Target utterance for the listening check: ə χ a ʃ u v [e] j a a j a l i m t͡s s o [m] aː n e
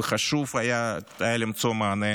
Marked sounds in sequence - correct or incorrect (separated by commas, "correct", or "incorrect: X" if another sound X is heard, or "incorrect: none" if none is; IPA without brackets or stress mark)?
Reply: incorrect: a, correct